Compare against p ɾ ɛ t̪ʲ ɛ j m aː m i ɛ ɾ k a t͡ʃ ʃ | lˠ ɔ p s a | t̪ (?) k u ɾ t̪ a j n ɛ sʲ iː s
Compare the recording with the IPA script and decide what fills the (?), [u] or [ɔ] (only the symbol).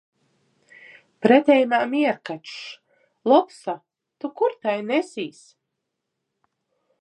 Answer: u